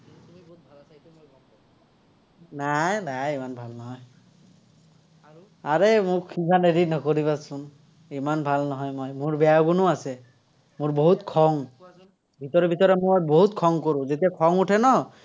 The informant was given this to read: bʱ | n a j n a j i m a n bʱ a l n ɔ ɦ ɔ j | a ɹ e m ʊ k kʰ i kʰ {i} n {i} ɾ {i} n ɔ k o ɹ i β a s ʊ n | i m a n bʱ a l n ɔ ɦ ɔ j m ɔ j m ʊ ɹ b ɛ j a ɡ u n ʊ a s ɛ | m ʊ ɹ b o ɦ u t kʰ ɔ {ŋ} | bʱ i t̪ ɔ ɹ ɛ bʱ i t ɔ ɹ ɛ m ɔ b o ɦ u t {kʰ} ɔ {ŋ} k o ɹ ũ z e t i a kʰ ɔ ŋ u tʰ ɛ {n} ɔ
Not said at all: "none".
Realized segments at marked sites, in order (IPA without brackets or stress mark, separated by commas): a, e, i, ŋ, kʰ, ŋ, n